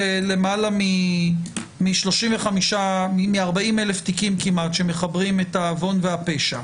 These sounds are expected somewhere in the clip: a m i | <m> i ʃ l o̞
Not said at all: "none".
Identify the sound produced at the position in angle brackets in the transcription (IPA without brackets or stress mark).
m